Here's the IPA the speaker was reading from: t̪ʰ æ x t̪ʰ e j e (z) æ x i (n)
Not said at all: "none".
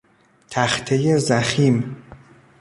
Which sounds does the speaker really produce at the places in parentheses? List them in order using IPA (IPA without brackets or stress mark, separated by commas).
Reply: z, m